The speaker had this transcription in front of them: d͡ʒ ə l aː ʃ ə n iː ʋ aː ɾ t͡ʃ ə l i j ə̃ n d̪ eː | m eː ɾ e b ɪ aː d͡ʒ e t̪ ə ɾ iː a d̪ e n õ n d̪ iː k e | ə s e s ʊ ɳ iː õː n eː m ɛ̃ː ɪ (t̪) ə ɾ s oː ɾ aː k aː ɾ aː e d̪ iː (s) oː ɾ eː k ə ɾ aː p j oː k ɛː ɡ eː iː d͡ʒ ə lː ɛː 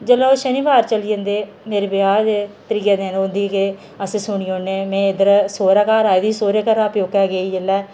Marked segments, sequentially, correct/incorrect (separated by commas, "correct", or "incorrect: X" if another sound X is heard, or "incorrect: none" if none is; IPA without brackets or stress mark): incorrect: d̪, correct